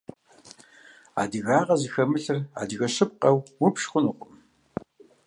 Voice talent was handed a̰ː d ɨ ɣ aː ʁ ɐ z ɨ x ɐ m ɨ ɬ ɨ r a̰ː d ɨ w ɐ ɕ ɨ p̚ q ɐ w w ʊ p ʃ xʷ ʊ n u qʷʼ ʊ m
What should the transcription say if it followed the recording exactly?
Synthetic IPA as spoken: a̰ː d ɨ ɣ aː ʁ ɐ z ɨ x ɐ m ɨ ɬ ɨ r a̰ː d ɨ ɣ ɐ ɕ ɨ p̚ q ɐ w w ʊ p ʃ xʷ ʊ n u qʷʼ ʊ m